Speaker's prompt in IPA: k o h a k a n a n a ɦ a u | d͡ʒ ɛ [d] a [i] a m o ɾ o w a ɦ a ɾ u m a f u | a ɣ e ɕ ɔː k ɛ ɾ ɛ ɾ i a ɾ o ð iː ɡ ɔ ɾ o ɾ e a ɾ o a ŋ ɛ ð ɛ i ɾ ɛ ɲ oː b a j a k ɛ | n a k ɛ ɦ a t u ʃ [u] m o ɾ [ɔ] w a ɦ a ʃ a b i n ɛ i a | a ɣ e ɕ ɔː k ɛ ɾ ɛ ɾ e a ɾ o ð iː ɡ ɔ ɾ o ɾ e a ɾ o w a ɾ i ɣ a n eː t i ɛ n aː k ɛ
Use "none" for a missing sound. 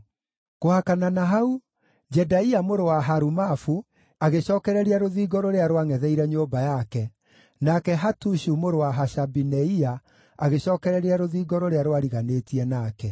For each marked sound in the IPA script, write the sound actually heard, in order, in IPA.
d, i, u, o

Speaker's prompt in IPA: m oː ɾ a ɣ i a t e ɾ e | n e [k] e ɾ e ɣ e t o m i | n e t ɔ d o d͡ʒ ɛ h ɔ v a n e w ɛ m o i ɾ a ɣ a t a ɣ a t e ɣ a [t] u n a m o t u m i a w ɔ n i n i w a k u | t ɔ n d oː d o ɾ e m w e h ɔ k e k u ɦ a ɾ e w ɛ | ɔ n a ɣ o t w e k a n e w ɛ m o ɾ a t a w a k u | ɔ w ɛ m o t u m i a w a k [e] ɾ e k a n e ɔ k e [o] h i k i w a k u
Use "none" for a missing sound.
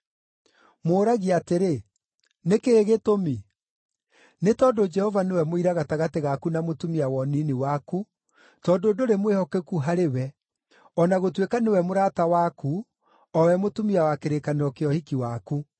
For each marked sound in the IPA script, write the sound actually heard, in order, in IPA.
k, k, e, ɔ

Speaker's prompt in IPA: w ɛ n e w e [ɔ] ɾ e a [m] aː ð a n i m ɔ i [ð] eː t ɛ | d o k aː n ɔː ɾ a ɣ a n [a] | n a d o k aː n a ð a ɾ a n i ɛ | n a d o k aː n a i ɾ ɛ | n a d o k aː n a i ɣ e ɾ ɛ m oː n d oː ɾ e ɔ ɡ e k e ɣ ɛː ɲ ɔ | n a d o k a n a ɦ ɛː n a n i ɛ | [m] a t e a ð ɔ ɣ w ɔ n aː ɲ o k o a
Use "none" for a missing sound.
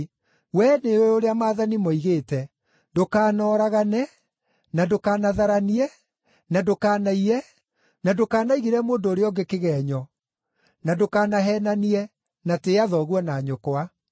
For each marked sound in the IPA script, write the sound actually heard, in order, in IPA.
o, m, ɣ, ɛ, n

